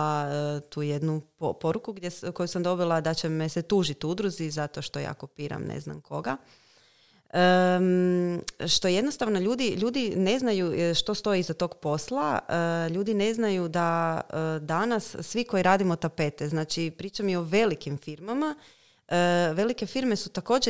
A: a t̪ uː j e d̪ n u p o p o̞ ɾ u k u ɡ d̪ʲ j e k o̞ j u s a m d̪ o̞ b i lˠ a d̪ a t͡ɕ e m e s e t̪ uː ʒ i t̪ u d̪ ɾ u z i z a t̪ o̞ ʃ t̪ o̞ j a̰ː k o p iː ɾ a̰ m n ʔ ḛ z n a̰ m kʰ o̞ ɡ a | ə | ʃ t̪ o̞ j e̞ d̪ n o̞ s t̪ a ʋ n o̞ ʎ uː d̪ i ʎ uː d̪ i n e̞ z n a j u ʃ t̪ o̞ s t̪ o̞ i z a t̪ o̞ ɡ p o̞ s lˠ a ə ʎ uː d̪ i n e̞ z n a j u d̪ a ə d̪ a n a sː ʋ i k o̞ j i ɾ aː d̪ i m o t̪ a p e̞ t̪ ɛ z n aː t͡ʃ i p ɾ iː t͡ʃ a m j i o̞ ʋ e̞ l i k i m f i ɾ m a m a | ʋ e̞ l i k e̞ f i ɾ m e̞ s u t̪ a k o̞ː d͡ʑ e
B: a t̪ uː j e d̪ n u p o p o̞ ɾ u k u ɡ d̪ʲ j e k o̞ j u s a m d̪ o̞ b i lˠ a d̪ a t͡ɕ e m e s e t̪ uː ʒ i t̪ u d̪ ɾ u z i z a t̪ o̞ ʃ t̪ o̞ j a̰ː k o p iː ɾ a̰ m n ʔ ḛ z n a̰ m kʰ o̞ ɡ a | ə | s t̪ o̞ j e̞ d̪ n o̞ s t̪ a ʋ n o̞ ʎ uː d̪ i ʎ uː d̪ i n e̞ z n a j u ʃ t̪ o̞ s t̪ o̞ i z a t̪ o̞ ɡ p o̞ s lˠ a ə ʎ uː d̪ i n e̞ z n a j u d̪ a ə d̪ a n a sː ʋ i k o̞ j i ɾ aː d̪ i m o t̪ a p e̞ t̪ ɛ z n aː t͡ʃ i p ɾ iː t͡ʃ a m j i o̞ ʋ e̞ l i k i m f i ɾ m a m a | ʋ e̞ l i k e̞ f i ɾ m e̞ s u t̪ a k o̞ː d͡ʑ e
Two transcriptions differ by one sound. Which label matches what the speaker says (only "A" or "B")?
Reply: A